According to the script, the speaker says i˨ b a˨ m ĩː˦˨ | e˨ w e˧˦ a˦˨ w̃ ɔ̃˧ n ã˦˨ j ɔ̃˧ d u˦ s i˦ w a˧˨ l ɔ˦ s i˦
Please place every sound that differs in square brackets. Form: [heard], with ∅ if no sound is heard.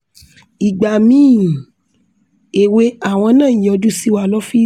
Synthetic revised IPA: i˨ [ɡ͡b] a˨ m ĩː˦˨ | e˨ w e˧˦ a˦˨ w̃ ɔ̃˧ n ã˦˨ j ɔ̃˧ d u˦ s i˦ w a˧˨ l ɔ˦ [f] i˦